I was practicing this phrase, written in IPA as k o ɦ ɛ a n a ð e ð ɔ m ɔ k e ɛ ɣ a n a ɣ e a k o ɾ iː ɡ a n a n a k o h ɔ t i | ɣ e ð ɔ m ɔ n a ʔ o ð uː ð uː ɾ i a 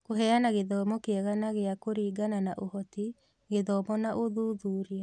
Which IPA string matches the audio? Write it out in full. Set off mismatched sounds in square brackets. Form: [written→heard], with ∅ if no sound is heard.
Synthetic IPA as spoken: k o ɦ ɛ a n a [ð→ɣ] e ð ɔ m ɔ k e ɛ ɣ a n a ɣ e a k o ɾ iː ɡ a n a n a [k→ʔ] o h ɔ t i | ɣ e ð ɔ m ɔ n a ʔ o ð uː ð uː ɾ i a